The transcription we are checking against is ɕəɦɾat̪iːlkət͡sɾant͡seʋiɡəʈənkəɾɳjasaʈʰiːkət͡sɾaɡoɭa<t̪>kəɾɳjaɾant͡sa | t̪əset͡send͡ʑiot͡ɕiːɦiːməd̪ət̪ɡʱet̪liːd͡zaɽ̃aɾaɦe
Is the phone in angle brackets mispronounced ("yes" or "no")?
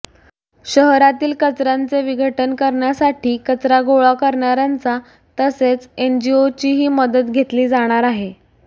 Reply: yes